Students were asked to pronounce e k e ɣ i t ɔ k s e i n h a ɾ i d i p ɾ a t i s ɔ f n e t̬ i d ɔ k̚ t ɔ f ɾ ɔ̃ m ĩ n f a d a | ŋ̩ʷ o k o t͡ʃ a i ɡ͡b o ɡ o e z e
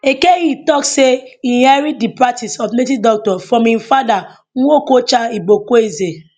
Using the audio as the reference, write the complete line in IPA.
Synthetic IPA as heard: e k e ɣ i t ɔ k s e i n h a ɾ i d i p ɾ a t i s ɔ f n e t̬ i d ɔ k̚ t ɔ f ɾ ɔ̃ m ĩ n f a d a | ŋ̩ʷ o k o t͡ʃ a i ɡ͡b o k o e z e